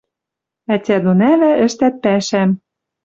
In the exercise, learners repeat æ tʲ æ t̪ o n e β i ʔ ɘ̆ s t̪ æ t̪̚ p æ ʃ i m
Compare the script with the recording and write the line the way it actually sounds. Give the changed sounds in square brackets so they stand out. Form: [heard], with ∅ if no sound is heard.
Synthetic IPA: æ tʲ æ [d̪] o n [æ] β [æ] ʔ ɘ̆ [ʃ] t̪ æ t̪̚ p æ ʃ [æ] m